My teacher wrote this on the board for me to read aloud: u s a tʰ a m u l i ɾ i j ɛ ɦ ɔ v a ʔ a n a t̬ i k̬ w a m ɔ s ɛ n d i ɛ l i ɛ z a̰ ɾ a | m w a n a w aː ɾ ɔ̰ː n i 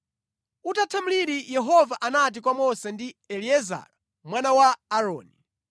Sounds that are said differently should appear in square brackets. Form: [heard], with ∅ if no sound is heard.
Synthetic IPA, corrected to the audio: u [t] a tʰ a m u l i ɾ i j ɛ ɦ ɔ v a ʔ a n a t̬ i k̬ w a m ɔ s ɛ n d i ɛ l i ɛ z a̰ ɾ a | m w a n a w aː ɾ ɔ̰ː n i